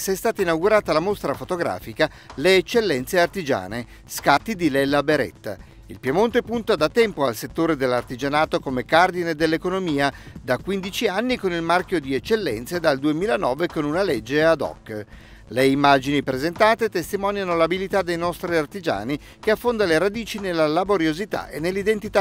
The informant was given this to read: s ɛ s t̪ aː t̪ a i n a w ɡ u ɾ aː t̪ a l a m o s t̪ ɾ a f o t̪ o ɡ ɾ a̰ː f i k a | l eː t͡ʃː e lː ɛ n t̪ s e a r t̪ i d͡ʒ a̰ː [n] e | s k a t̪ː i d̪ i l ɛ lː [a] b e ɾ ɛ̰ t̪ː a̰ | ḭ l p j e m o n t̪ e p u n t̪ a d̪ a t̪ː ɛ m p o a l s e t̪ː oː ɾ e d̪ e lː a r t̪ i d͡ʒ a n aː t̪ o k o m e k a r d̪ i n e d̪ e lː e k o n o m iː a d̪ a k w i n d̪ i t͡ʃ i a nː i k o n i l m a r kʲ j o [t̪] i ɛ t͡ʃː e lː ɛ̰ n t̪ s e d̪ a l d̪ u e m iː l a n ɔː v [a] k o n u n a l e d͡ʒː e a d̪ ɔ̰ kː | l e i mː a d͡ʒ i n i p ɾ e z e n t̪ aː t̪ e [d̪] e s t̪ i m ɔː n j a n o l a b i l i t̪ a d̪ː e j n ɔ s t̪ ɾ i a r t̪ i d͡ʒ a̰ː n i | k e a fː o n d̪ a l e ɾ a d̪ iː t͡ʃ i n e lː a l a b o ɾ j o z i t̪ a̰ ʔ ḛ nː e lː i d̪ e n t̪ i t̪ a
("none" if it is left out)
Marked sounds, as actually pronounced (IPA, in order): n, a, d̪, e, t̪

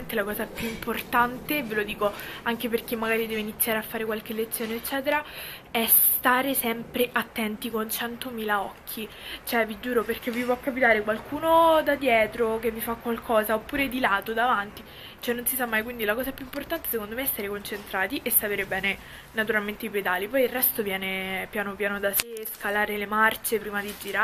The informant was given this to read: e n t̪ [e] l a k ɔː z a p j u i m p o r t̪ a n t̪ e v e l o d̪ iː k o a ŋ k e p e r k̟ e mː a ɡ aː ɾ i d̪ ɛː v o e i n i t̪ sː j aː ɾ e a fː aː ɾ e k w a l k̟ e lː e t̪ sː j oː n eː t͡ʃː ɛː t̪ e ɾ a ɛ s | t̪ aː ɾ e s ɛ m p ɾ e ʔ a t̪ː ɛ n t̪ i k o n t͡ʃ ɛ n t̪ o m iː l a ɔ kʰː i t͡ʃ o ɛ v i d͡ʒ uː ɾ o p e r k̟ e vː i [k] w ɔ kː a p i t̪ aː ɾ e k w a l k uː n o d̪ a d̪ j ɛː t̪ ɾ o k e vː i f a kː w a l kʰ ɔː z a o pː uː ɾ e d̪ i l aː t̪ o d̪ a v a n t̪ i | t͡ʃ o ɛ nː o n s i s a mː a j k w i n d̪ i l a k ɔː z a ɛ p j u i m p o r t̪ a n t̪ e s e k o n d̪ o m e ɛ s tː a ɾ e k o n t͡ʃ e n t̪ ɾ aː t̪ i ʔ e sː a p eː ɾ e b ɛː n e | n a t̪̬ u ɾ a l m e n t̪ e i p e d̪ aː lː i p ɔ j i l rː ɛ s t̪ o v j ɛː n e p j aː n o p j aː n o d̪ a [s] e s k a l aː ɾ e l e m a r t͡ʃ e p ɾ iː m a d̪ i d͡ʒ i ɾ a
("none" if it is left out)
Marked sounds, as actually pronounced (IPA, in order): e, p, s

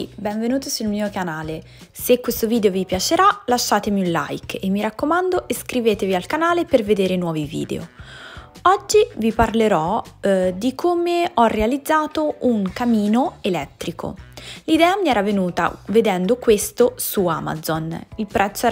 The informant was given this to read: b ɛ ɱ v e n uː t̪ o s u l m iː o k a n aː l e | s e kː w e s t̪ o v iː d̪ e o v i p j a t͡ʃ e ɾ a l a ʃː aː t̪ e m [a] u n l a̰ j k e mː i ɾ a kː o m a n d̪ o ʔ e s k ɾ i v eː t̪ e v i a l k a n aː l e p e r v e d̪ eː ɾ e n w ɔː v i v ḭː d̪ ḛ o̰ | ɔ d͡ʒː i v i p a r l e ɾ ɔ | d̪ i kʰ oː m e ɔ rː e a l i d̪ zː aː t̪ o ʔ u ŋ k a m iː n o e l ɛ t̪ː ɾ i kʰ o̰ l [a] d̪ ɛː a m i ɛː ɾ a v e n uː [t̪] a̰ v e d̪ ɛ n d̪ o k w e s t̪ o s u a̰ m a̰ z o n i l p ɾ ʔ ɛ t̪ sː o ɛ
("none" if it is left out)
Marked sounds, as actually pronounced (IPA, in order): i, i, t̪

